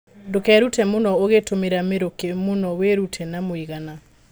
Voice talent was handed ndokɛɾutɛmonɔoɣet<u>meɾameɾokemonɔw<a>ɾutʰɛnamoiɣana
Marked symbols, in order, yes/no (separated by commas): no, no